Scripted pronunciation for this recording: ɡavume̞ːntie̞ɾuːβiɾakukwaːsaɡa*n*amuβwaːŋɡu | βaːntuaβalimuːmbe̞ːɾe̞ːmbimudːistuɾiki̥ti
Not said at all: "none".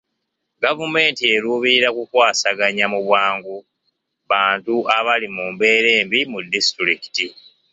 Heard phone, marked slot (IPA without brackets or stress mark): ɲ